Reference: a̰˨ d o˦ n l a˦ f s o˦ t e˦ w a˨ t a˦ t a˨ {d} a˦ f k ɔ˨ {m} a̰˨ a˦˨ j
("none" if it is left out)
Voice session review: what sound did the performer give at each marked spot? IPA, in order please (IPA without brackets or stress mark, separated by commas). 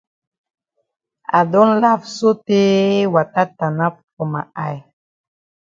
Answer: n, m